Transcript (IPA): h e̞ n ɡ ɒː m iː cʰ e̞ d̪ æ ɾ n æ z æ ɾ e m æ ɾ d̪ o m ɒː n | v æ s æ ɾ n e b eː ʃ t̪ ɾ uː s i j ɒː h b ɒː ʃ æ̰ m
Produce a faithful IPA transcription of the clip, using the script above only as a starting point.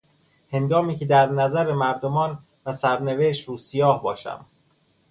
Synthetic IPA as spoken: h e̞ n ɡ ɒː m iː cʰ e̞ d̪ æ ɾ n æ z æ ɾ e m æ ɾ d̪ o m ɒː n | v æ s æ ɾ n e v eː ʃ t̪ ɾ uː s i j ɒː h b ɒː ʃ æ̰ m